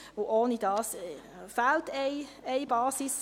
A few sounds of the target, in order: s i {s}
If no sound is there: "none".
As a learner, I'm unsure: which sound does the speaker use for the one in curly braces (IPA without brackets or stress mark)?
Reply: s